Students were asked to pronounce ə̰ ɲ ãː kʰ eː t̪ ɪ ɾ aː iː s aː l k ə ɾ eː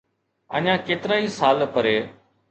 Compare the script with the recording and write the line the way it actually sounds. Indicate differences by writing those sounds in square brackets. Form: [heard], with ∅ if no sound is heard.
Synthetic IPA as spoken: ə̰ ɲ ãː [k] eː t̪ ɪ ɾ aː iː s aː l [p] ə ɾ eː